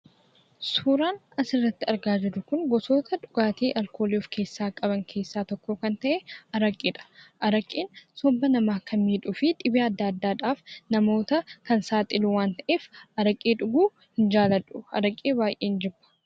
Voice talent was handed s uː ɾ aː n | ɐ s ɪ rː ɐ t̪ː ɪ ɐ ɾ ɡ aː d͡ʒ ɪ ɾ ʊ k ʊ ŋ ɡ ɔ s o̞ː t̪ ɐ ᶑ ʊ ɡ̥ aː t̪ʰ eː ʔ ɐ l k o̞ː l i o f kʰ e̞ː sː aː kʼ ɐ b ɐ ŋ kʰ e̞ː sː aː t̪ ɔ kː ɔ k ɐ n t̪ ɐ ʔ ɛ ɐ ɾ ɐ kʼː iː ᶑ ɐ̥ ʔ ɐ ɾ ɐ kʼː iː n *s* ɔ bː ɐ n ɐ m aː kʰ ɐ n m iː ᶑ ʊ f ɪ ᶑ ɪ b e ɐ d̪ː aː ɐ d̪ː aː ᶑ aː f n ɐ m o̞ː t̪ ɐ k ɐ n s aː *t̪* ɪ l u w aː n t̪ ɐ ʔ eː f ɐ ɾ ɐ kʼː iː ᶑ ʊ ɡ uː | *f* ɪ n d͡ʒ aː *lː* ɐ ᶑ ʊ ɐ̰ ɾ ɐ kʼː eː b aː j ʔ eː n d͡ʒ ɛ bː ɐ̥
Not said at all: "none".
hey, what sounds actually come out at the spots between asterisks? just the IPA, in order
s, t̪ʼ, h, l

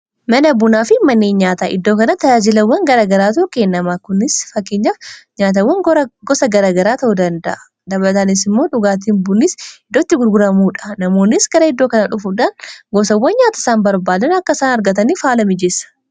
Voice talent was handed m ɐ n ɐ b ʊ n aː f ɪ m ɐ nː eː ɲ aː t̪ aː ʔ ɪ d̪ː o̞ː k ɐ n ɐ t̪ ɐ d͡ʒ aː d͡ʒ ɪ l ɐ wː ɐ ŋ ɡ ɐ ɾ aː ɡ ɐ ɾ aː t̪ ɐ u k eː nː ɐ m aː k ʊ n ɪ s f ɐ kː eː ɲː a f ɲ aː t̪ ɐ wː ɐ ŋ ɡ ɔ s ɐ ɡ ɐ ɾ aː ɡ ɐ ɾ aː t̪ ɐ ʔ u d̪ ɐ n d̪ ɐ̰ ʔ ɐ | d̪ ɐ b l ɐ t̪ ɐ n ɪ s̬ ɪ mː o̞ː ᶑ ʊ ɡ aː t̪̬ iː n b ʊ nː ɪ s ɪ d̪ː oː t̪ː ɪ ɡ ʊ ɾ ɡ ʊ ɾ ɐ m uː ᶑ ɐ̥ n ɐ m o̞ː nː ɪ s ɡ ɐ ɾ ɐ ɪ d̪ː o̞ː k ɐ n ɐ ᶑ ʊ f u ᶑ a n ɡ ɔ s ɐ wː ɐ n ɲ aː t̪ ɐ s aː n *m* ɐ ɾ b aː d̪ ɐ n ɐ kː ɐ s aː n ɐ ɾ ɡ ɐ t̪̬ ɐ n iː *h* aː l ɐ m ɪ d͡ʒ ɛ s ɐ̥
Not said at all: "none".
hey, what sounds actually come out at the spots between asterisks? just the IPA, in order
b, f

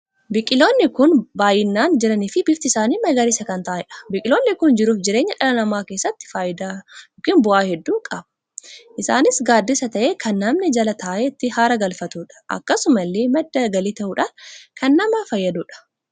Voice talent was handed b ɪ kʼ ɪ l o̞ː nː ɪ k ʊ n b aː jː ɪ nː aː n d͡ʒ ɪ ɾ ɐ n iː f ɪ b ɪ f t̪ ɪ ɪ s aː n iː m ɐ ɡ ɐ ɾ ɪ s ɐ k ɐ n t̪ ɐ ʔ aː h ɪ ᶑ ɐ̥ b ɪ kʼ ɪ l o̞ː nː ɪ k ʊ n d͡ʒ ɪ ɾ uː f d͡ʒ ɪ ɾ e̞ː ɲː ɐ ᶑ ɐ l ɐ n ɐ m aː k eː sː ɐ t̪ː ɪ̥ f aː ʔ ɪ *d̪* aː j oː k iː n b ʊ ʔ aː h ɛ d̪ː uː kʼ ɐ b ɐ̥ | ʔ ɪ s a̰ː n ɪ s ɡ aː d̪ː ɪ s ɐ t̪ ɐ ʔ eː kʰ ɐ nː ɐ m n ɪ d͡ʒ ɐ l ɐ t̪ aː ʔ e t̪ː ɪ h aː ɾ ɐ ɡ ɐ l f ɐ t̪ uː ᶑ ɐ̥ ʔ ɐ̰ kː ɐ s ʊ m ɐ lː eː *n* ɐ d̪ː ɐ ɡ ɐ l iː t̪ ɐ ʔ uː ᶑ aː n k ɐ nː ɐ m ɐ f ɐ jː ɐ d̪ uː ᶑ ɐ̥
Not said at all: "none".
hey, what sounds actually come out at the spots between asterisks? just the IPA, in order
d̪, m

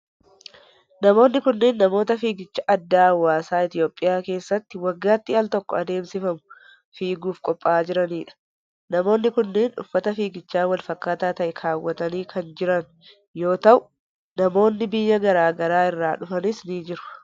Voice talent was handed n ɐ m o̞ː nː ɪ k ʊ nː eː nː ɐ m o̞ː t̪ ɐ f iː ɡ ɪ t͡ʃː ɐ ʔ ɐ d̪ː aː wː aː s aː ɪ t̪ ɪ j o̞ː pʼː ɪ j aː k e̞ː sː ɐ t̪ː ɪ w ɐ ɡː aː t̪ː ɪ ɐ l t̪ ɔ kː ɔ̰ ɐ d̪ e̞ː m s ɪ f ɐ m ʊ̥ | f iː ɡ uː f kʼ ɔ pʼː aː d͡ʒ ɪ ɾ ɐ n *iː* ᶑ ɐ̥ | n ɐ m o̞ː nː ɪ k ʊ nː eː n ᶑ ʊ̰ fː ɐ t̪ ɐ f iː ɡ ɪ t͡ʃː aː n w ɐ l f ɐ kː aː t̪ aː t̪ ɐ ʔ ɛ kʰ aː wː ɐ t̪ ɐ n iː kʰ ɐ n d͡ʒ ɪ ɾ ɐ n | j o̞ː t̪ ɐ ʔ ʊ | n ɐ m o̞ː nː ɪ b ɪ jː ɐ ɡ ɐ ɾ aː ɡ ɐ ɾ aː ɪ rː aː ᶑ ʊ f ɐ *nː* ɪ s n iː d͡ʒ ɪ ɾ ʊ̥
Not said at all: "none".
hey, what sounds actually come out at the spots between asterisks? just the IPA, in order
iː, n

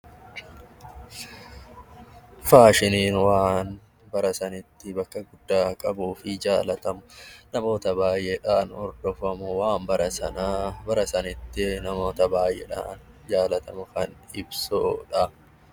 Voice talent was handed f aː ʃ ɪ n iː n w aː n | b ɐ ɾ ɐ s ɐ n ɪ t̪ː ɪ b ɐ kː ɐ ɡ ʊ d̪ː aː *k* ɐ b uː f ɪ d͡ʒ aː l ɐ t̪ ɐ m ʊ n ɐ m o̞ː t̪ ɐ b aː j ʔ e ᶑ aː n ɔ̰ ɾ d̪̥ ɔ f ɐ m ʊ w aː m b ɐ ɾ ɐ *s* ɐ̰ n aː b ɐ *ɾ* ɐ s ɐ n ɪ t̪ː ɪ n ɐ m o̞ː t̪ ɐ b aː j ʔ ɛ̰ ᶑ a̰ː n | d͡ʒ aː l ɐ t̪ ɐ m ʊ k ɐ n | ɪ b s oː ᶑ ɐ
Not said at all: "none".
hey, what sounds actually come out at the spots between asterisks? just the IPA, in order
kʼ, s, ɾ

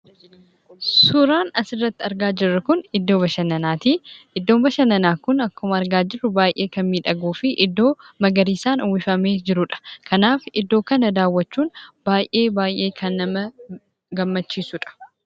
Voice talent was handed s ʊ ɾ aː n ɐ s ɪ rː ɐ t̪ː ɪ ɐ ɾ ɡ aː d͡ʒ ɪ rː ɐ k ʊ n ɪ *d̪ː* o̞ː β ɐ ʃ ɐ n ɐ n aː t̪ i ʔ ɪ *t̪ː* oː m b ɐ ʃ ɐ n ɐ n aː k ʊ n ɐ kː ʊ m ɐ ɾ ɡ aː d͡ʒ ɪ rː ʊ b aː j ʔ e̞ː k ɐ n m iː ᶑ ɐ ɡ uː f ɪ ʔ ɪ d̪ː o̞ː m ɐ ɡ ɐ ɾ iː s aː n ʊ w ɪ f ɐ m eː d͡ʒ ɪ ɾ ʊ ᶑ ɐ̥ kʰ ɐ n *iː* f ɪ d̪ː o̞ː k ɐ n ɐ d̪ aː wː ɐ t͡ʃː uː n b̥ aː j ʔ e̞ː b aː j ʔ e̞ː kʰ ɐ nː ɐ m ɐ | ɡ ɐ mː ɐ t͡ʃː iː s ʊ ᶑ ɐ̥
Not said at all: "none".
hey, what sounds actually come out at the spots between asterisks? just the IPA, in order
d̪ː, d̪ː, aː

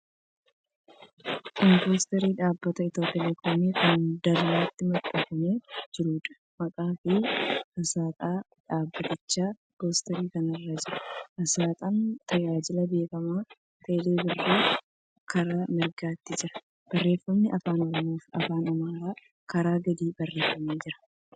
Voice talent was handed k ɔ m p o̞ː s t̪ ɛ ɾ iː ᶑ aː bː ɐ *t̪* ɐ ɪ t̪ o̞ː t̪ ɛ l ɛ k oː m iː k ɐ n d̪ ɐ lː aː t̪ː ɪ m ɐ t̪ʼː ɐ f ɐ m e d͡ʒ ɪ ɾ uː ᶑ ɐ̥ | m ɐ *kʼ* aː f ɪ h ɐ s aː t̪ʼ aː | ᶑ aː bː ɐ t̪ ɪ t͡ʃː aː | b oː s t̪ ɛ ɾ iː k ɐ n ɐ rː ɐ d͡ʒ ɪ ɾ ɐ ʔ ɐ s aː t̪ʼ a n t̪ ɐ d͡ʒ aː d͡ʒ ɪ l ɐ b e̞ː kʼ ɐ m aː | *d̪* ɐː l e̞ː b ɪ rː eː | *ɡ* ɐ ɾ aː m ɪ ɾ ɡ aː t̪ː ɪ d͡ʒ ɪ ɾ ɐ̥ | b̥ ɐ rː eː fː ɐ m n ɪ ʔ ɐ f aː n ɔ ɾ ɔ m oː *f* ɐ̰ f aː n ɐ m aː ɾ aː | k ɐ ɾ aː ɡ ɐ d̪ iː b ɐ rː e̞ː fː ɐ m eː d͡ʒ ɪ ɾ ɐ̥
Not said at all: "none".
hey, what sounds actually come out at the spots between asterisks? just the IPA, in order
t̪, kʼ, t̪, k, f

